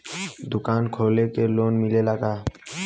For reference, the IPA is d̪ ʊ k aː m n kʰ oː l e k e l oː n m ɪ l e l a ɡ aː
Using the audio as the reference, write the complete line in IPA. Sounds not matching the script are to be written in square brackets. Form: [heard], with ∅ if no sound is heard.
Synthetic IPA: d̪ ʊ k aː [∅] n kʰ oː l e k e l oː n m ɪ l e l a ɡ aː